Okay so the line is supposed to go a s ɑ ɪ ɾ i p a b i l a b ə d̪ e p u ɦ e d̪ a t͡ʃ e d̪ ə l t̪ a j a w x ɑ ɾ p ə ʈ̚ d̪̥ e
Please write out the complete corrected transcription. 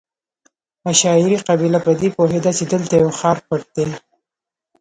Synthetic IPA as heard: a ʃ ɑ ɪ ɾ i q a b i l a p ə d̪ e p o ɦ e d̪ a t͡ʃ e d̪ ə l t̪ a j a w x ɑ ɾ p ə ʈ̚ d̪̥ e